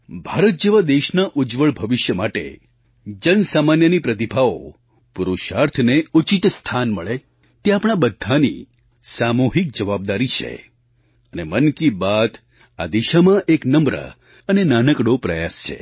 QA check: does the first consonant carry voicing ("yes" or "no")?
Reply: yes